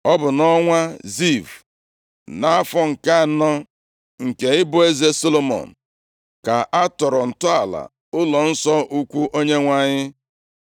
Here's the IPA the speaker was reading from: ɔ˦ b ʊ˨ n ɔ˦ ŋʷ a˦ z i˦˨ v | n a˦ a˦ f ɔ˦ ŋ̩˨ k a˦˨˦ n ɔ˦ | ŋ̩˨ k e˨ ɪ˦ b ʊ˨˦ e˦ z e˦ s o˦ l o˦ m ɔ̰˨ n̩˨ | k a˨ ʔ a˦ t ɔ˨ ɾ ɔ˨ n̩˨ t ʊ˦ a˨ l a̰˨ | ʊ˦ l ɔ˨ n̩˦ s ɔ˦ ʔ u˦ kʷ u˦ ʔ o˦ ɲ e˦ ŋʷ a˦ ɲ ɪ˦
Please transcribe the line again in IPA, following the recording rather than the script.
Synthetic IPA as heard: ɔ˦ b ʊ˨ n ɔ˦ ŋʷ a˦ z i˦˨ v | n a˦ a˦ f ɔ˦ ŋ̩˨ k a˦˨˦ n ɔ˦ | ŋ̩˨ k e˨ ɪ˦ b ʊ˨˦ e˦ z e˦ s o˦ l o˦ m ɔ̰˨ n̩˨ | k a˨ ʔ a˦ t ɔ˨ ɾ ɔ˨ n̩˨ t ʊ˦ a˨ l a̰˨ | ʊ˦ l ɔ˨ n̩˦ s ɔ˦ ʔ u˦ kʷ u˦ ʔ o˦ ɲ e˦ ŋʷ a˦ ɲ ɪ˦